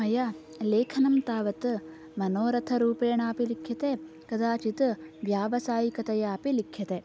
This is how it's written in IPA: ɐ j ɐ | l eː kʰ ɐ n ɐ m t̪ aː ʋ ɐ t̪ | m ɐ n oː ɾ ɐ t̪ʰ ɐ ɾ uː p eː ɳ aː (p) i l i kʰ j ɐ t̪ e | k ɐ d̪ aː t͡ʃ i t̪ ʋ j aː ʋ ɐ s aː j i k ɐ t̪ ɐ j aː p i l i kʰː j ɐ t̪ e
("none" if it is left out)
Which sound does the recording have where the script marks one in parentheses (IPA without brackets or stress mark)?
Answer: p